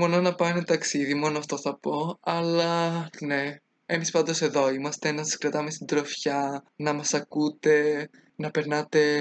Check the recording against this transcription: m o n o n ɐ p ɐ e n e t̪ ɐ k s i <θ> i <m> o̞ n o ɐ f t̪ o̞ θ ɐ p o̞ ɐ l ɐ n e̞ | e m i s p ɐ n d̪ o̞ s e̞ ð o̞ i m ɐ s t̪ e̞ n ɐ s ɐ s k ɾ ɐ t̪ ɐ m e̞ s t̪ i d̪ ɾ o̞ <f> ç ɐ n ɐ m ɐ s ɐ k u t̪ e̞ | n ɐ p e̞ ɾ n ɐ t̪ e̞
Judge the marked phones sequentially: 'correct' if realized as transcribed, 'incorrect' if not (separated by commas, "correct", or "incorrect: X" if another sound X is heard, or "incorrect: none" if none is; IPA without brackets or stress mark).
incorrect: ð, correct, correct